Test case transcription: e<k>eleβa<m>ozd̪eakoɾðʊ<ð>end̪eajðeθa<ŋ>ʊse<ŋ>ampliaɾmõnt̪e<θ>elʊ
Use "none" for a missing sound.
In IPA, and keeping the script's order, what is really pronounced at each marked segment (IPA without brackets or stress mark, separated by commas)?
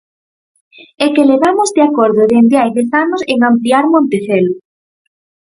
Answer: k, m, ð, n, ŋ, θ